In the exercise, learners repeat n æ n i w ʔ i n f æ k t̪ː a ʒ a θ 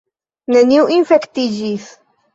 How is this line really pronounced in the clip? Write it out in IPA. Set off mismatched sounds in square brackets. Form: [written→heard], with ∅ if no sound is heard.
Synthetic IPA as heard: n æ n i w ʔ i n f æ k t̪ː [a→i] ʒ [a→i] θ